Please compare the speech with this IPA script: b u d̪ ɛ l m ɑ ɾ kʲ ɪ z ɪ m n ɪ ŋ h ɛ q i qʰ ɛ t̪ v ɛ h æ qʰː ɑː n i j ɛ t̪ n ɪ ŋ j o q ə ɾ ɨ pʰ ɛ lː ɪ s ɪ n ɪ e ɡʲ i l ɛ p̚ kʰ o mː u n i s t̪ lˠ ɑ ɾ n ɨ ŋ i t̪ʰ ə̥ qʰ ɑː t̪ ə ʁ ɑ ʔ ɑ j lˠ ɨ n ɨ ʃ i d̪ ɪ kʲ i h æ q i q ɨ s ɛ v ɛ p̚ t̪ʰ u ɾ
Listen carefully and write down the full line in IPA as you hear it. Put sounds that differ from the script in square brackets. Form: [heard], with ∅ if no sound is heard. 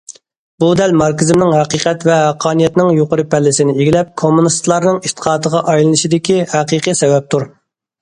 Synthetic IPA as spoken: b u d̪ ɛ l m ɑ ɾ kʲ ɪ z ɪ m n ɪ ŋ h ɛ q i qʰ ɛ t̪ v ɛ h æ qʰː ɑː n i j ɛ t̪ n ɪ ŋ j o q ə ɾ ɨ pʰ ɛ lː ɪ s ɪ n ɪ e ɡʲ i l ɛ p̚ kʰ o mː u n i s t̪ lˠ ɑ ɾ n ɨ ŋ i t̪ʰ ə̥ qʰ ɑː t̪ ə ʁ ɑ ʔ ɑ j lˠ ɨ n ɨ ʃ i d̪ ɪ kʲ i h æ q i q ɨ s ɛ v ɛ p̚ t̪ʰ u ɾ